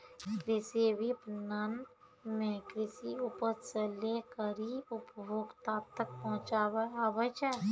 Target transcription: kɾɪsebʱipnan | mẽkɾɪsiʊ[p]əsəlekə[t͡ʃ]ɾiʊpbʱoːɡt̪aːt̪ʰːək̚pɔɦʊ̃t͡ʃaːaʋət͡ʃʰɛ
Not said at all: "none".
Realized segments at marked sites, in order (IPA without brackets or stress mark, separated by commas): p, none